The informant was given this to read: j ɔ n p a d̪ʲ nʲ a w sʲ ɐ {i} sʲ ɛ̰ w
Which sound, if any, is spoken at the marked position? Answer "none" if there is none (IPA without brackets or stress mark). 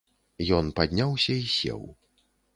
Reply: i